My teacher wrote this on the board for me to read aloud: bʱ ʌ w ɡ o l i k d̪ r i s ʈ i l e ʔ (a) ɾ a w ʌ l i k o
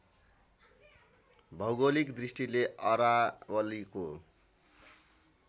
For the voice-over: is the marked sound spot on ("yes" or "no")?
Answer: no